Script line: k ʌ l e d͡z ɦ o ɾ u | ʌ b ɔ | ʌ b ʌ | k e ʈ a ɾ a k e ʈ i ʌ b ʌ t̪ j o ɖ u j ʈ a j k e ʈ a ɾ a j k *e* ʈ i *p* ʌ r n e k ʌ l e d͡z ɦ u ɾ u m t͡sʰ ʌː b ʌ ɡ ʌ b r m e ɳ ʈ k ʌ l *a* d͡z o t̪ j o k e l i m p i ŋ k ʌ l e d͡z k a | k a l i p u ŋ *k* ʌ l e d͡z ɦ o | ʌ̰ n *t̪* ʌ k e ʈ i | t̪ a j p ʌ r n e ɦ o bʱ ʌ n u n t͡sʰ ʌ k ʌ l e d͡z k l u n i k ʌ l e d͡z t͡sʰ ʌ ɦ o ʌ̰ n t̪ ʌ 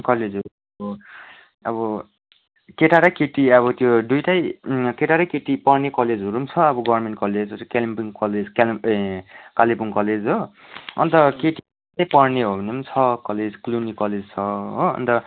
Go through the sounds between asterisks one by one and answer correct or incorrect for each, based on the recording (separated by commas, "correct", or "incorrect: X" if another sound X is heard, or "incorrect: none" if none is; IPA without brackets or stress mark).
correct, correct, incorrect: e, correct, correct